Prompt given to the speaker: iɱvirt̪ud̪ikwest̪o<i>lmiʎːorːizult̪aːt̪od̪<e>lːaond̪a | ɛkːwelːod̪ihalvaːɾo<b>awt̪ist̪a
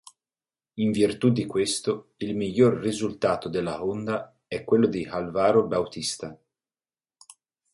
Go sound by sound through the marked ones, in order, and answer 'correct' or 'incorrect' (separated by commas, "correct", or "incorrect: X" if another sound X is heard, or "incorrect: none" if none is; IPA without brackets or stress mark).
correct, correct, correct